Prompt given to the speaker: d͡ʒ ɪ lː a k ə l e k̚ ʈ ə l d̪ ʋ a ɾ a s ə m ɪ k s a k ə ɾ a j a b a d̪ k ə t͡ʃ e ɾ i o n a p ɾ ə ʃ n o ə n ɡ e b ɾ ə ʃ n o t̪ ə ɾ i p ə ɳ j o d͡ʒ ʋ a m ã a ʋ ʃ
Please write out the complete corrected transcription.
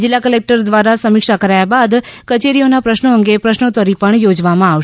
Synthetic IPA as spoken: d͡ʒ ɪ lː a k ə l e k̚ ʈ ə ɾ d̪ ʋ a ɾ a s ə m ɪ k ʃ a k ə ɾ a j a b a d̪ k ə t͡ʃ e ɾ i o n a p ɾ ə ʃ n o ə ŋ ɡ e p ɾ ə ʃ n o t̪ ə ɾ i p ə ɳ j o d͡ʒ ʋ a m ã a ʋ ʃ